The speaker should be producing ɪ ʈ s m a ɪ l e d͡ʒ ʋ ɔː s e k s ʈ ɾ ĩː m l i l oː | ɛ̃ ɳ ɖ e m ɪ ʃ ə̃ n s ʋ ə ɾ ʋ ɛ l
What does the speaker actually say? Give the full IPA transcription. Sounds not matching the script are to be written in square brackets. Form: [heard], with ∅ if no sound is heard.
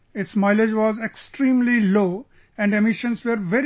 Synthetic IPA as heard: ɪ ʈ s m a ɪ l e d͡ʒ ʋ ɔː [z] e k s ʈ ɾ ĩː m l i l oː | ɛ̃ ɳ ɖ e m ɪ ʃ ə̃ n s ʋ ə ɾ ʋ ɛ [ɾ]

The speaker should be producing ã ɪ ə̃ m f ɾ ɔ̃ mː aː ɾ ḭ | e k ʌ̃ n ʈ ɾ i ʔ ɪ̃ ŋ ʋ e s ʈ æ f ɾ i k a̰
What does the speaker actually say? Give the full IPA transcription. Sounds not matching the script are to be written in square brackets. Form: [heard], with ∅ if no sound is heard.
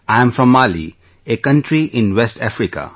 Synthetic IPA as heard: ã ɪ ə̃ m f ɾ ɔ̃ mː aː [l] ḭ | e k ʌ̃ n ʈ ɾ i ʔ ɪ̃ [n] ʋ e s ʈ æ f ɾ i k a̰

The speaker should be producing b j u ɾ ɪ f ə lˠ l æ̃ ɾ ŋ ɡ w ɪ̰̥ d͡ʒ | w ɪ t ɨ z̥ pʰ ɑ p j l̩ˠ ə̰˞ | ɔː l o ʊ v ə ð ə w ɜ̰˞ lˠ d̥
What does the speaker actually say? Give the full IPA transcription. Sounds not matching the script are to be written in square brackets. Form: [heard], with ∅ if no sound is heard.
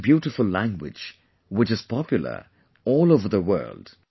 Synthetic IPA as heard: b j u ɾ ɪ f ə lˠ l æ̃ [∅] ŋ ɡ w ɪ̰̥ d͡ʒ | w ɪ [t͡ʃ] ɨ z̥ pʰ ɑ p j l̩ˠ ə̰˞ | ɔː l o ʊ v ə ð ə w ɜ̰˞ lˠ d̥

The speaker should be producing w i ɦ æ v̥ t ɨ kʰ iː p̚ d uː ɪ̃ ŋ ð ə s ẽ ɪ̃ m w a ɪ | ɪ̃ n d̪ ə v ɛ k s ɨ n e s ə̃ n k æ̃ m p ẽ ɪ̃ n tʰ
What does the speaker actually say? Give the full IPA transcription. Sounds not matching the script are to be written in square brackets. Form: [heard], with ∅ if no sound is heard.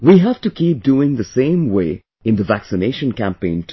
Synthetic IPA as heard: w i ɦ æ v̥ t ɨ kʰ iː p̚ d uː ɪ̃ ŋ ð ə s ẽ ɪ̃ m w [e] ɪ | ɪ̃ n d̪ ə v [æ] k s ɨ n e [ʃ] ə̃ n k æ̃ m p ẽ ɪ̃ n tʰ

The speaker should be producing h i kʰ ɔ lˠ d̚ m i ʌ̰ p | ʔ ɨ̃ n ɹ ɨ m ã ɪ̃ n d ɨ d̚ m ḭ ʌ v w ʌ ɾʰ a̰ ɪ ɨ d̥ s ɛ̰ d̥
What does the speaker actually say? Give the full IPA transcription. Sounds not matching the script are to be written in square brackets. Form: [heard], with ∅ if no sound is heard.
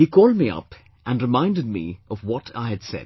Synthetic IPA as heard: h i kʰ ɔ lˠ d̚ m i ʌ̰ p | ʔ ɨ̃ n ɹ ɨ m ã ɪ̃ n d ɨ d̚ m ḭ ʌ v w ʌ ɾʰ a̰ ɪ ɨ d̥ s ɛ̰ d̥

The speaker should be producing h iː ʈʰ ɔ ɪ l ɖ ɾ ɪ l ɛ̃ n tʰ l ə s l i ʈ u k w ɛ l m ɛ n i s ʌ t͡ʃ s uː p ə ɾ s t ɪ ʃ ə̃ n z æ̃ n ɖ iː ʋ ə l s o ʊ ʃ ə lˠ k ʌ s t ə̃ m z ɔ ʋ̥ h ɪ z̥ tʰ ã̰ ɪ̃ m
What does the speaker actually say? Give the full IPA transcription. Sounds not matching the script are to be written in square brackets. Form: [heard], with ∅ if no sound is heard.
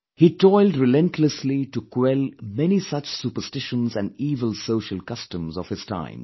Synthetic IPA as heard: h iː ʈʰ ɔ ɪ l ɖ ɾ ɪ l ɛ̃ n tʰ l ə s l i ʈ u k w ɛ l m ɛ n i s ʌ t͡ʃ s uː p ə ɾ s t ɪ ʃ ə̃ n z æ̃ n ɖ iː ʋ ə l s o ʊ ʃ ə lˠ k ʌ s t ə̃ m z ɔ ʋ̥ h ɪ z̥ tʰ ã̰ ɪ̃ m

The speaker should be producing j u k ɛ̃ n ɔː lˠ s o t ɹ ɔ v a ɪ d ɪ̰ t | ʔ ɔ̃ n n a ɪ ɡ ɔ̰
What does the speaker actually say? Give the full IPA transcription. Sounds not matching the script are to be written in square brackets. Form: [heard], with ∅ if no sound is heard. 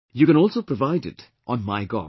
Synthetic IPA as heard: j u k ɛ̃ n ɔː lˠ s o [p] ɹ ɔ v a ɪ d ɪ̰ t | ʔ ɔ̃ n [m] a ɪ ɡ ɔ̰

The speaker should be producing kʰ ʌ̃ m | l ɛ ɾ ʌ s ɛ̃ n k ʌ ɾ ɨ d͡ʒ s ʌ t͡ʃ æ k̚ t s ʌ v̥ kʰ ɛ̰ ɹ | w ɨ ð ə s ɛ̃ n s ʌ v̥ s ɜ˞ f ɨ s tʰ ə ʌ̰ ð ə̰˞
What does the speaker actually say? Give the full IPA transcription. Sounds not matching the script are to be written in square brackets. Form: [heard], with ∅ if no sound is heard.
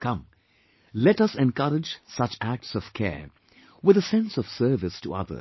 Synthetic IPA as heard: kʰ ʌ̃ m | l ɛ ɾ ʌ s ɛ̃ n k ʌ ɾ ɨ d͡ʒ s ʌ t͡ʃ æ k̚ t s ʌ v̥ kʰ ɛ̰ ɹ | w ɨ ð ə s ɛ̃ n s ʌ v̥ s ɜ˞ [v] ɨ s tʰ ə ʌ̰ ð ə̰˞

